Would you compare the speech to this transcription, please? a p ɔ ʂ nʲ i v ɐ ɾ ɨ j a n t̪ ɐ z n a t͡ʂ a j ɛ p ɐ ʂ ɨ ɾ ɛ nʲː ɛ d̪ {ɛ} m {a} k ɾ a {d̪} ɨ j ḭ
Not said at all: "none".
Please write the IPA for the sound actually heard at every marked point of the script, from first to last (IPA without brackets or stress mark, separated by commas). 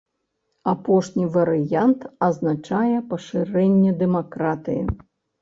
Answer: ɛ, a, t̪